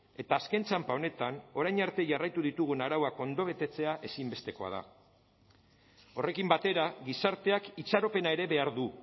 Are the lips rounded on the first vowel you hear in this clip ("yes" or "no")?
no